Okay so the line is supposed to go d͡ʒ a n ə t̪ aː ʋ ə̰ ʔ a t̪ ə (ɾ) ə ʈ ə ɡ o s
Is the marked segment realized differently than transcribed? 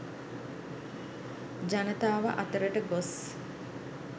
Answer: no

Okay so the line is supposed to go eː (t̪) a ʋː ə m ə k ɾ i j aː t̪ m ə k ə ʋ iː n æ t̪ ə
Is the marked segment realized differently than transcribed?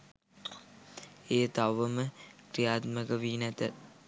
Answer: no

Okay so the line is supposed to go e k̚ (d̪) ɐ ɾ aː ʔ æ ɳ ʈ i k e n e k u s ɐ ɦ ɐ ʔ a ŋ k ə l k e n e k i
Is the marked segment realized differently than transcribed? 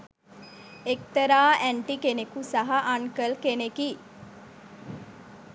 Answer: yes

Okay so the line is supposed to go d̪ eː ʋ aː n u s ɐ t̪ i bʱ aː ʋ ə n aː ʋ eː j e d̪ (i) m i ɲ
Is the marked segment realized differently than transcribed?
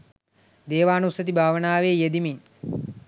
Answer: no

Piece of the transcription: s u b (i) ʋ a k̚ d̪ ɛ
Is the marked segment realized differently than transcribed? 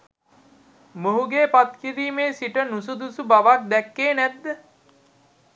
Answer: yes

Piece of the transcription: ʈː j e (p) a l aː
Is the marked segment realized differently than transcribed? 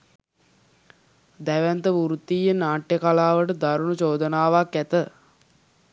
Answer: yes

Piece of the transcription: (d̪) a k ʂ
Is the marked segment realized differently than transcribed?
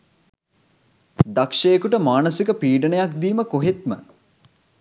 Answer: no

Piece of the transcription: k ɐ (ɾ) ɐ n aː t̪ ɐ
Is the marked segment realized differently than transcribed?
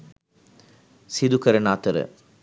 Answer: no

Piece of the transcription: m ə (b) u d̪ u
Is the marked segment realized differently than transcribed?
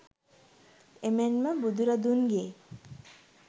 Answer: no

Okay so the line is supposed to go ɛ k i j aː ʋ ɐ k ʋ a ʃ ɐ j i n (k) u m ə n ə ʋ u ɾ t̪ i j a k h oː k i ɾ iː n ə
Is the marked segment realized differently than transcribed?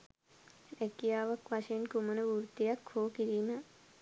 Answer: no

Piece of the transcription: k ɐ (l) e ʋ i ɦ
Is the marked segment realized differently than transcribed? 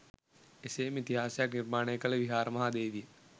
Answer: no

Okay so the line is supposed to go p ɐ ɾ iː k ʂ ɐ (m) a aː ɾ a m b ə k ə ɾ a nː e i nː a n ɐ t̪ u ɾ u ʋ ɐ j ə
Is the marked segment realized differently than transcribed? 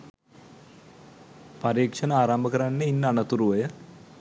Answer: yes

